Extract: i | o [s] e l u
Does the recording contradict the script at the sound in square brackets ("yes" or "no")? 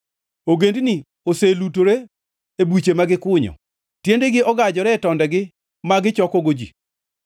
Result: no